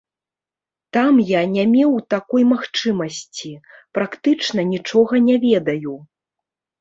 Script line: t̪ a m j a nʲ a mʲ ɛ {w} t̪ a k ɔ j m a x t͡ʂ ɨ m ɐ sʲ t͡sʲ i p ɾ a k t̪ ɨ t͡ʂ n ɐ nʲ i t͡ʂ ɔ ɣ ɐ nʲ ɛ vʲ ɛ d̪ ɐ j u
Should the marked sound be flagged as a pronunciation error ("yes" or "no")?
no